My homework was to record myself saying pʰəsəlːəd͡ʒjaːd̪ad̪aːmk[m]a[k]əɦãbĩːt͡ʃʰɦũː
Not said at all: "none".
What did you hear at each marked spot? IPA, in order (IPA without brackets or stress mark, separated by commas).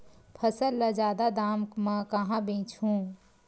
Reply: m, k